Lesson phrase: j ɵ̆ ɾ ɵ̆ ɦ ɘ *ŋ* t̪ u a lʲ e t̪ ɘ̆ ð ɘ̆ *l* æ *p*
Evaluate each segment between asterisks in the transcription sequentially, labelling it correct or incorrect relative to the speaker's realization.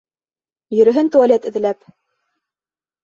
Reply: incorrect: n, correct, correct

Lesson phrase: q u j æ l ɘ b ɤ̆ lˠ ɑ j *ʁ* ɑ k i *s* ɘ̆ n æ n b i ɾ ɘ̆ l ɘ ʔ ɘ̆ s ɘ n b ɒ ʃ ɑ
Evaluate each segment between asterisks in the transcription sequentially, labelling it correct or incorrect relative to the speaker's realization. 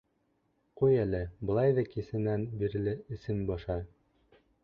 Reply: incorrect: ð, correct

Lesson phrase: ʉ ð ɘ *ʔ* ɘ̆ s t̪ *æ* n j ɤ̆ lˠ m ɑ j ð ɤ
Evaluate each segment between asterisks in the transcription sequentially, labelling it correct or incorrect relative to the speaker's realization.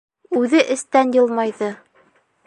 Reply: correct, correct

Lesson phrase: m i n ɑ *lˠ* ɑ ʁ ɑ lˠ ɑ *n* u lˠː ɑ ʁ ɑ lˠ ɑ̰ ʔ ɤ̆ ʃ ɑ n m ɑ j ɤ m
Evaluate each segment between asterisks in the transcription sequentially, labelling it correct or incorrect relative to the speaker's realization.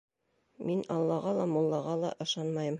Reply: incorrect: lˠː, incorrect: m

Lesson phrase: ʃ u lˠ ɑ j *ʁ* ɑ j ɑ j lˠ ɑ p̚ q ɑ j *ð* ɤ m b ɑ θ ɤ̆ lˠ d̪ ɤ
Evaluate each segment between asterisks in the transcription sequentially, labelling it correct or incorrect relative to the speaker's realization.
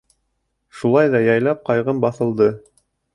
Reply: incorrect: ð, incorrect: ʁ

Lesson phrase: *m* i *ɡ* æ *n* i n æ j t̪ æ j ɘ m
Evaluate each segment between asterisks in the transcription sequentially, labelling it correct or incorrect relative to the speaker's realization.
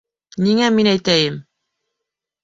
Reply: incorrect: n, incorrect: ŋ, incorrect: m

